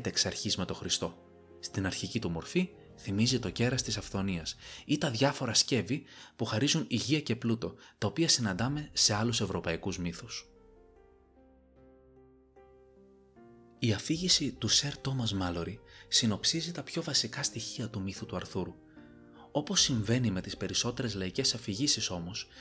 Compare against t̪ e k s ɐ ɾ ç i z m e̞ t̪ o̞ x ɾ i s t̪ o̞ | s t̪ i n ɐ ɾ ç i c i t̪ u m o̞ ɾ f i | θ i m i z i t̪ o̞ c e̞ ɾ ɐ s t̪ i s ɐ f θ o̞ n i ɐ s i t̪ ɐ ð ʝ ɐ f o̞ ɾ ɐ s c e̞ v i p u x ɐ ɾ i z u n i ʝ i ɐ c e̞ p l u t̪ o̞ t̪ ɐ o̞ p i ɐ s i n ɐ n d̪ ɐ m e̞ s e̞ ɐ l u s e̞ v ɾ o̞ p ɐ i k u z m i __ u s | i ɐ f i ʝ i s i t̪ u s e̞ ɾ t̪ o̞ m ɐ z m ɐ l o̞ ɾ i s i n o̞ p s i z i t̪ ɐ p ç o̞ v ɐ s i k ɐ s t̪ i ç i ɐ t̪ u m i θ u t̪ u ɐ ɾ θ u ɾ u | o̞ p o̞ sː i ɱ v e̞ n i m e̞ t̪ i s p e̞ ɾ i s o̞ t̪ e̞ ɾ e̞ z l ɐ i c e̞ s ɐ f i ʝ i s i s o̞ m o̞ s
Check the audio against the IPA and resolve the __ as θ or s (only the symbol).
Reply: θ